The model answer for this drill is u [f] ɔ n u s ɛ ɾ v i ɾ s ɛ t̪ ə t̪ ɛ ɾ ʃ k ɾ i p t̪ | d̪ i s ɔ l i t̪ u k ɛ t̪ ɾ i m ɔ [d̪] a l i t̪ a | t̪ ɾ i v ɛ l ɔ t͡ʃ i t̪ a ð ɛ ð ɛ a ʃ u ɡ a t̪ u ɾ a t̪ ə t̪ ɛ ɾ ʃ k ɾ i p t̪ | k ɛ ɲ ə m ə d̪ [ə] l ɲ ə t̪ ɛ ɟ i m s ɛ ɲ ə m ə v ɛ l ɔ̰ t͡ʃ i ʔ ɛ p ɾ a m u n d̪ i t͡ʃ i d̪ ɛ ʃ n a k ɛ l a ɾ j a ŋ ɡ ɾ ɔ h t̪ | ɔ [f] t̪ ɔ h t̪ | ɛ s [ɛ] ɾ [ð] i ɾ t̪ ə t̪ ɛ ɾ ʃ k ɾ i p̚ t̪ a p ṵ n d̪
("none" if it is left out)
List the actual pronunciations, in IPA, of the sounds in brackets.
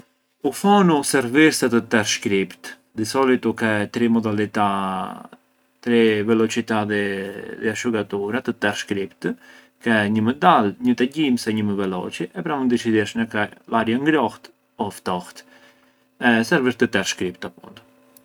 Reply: f, d̪, a, f, ɛ, v

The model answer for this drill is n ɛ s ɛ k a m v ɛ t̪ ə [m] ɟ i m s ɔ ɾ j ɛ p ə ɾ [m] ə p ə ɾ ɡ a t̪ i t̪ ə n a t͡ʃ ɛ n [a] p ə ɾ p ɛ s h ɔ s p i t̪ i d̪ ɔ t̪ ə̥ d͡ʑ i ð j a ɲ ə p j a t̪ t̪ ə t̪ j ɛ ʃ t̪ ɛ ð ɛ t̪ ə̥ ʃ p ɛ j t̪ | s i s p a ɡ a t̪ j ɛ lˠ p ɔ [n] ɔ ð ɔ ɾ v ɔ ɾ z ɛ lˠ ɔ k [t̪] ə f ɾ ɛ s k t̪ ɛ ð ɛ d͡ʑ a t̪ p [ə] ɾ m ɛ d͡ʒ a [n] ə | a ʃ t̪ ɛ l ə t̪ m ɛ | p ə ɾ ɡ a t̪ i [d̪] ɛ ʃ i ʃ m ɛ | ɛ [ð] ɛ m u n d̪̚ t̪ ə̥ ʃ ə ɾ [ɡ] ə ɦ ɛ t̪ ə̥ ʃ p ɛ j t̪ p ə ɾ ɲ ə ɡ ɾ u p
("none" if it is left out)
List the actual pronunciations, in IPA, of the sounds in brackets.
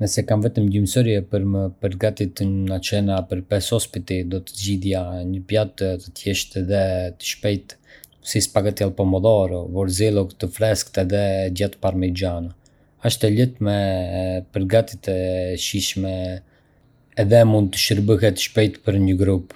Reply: m, m, a, m, t̪, a, n, t̪, ð, b

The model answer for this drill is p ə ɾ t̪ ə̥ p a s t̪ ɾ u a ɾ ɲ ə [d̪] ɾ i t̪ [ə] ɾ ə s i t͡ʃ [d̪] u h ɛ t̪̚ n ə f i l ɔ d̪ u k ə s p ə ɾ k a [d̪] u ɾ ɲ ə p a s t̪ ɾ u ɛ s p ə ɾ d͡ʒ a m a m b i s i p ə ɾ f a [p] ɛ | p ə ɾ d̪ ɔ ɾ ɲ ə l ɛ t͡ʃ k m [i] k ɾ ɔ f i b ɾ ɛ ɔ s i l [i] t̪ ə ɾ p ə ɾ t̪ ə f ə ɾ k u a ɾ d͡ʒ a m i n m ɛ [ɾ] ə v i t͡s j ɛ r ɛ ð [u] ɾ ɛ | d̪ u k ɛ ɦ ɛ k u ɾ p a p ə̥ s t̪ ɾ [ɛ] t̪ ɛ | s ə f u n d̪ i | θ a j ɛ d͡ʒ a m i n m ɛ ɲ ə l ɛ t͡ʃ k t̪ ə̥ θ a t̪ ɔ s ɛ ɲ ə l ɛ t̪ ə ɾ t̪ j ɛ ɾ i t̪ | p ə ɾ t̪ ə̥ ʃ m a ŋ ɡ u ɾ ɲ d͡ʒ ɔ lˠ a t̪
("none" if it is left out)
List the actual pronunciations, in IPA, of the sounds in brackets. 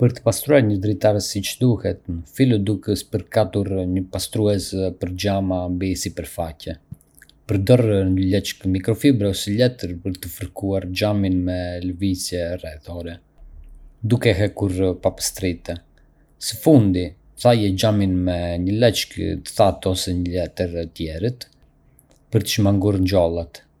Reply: d̪, a, d̪, t̪, c, i, ɛ, l, ɔ, i

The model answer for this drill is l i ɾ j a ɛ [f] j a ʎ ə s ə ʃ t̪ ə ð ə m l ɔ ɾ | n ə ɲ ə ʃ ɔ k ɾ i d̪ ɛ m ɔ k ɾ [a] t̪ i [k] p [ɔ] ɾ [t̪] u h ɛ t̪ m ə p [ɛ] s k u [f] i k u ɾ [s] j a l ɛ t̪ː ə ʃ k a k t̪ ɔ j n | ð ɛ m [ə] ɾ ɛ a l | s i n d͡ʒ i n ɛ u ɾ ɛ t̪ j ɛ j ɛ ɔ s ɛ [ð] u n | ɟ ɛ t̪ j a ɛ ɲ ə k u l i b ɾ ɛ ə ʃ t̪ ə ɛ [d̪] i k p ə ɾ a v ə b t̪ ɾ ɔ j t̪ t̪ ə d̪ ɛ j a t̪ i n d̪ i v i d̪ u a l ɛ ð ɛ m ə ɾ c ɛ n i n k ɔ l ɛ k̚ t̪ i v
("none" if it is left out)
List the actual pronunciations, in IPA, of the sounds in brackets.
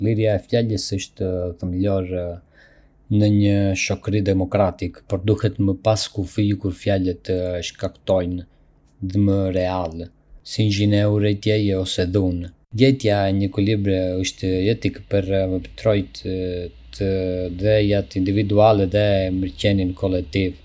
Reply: f, a, k, ɔ, d̪, a, f, f, ə, ð, t̪

